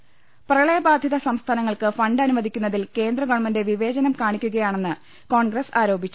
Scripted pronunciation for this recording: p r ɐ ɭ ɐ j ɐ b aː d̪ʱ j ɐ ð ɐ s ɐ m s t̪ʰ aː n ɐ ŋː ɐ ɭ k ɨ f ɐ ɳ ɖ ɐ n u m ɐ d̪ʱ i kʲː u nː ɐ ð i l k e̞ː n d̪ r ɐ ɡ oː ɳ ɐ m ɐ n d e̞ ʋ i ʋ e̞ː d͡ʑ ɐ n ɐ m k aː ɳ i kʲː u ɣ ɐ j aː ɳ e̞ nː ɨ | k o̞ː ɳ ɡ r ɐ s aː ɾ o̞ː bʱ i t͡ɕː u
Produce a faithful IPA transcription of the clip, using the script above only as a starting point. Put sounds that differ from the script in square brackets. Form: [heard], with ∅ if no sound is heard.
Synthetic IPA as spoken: p r ɐ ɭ ɐ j ɐ b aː d̪ʱ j ɐ ð ɐ s ɐ m s t̪ʰ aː n ɐ ŋː ɐ ɭ k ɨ f ɐ ɳ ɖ ɐ n u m ɐ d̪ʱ i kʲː u nː ɐ ð i l k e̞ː n d̪ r ɐ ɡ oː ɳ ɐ m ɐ n d e̞ ʋ i ʋ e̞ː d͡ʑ ɐ n ɐ m k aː ɳ i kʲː u ɣ ɐ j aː ɳ e̞ nː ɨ | k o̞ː ɳ ɡ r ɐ s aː ɾ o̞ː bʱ i t͡ɕː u

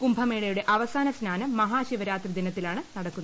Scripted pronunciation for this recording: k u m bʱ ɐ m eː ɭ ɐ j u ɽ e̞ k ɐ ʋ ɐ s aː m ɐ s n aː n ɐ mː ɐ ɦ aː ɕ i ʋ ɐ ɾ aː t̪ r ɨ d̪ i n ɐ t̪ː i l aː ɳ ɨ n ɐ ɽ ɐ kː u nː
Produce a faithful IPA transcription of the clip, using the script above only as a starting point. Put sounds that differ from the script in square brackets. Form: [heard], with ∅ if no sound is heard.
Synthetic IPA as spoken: k u m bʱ ɐ m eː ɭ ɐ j u ɽ e̞ [ʔ] ɐ ʋ ɐ s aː [n] ɐ s n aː n ɐ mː ɐ ɦ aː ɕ i ʋ ɐ ɾ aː t̪ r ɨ d̪ i n ɐ t̪ː i l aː ɳ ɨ n ɐ ɽ ɐ kː u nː

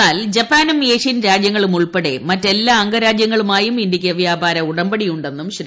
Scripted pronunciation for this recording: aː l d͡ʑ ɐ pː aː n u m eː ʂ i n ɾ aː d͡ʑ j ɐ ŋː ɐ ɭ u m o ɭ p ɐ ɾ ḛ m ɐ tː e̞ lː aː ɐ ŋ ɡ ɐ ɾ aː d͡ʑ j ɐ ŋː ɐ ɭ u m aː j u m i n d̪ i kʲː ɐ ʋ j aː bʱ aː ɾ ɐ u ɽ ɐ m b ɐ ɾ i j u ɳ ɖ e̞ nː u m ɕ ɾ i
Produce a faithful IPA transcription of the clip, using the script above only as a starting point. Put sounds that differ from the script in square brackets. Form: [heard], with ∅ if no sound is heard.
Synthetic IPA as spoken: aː l d͡ʑ ɐ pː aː n u m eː ʂ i n ɾ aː d͡ʑ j ɐ ŋː ɐ ɭ u m [u] ɭ p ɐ [ɽ] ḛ m ɐ tː e̞ lː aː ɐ ŋ ɡ ɐ ɾ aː d͡ʑ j ɐ ŋː ɐ ɭ u m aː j u m i n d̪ i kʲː ɐ ʋ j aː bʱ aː ɾ ɐ u ɽ ɐ m b ɐ [ɽ] i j u ɳ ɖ e̞ nː u m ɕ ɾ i

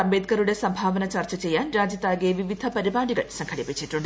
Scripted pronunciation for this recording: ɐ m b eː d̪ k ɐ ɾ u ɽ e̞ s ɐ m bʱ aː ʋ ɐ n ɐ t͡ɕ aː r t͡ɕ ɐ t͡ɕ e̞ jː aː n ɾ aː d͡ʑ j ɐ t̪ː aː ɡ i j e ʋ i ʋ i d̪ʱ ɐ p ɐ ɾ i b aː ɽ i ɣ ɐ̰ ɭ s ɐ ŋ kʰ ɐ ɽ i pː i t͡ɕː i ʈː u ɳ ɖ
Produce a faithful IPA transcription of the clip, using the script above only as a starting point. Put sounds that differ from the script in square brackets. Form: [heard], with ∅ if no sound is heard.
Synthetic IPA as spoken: ɐ m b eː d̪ k ɐ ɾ u ɽ e̞ s ɐ m bʱ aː ʋ ɐ n ɐ t͡ɕ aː r t͡ɕ ɐ t͡ɕ e̞ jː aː n ɾ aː d͡ʑ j ɐ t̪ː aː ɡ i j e ʋ i ʋ i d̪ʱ ɐ p ɐ ɾ i b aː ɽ i ɣ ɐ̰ ɭ s ɐ ŋ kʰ ɐ ɽ i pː i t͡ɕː i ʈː u ɳ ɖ

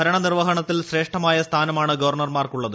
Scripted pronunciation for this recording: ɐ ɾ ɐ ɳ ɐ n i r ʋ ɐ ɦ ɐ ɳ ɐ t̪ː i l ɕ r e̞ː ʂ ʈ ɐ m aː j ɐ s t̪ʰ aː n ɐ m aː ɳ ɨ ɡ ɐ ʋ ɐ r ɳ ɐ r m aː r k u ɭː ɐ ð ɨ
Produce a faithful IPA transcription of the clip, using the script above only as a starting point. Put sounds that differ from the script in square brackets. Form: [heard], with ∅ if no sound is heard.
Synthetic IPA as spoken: ɐ ɾ ɐ ɳ ɐ n i r ʋ ɐ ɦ ɐ ɳ ɐ t̪ː i l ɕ r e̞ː ʂ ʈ ɐ m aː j ɐ s t̪ʰ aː n ɐ m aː ɳ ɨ ɡ ɐ ʋ ɐ r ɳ ɐ r m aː r k u ɭː ɐ ð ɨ

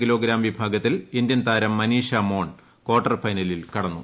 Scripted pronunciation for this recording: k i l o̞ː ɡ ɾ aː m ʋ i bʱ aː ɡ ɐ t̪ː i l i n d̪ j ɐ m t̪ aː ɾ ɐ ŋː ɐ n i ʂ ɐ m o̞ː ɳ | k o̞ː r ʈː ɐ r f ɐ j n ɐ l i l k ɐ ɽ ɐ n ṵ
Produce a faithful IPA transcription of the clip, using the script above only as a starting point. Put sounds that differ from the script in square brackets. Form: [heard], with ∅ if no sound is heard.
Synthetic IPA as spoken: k i l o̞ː ɡ ɾ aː m ʋ i bʱ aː ɡ ɐ t̪ː i l i n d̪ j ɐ [n] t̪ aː ɾ ɐ [mː] ɐ n [iː] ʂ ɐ m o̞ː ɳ | k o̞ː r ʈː ɐ r f ɐ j n ɐ l i l k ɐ ɽ ɐ [nː] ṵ

